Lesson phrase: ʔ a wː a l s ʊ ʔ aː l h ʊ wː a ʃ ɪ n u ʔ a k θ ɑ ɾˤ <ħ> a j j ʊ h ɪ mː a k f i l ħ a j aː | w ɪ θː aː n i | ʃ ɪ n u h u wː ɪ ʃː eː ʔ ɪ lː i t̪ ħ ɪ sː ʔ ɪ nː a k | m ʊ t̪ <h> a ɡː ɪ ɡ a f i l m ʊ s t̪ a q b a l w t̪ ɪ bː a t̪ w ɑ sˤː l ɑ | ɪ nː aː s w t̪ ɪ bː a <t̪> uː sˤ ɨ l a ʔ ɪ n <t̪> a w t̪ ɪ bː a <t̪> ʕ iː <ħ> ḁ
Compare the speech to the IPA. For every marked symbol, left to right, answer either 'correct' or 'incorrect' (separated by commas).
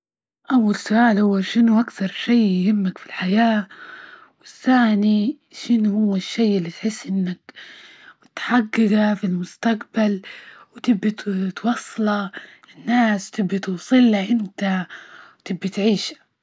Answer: incorrect, incorrect, correct, correct, correct, incorrect